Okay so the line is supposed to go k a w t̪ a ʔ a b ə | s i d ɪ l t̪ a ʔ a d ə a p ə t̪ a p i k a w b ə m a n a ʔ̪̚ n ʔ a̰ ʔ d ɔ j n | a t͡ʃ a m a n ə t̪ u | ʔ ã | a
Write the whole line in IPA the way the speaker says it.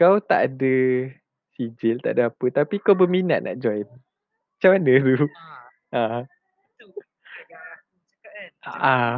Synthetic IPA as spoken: k a w t̪ a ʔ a d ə | s i d͡ʒ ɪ l t̪ a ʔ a d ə a p ə t̪ a p i k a w b ə m i n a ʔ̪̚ n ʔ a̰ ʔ d͡ʒ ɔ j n | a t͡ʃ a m a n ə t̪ u | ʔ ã | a